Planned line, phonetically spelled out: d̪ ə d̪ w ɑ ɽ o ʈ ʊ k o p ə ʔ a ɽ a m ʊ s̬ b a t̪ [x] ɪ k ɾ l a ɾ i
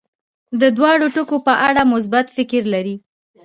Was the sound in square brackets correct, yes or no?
no